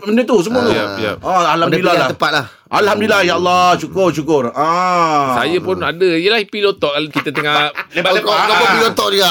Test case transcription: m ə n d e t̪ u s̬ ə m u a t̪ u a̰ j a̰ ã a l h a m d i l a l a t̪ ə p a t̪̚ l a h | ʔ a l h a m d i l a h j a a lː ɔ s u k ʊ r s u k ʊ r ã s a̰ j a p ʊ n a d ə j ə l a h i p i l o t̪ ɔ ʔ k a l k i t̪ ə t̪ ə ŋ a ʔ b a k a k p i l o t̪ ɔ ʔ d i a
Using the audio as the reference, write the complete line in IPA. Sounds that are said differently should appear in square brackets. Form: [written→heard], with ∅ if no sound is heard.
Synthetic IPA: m ə n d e t̪ u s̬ ə m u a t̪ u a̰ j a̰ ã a l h a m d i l a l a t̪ ə p a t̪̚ l a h | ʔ a l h a m d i l a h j a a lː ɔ [s→ʃ] u k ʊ r [s→ʃ] u k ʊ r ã s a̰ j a p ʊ n a d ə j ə l a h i p i l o t̪ ɔ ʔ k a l k i t̪ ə t̪ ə ŋ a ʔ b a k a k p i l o t̪ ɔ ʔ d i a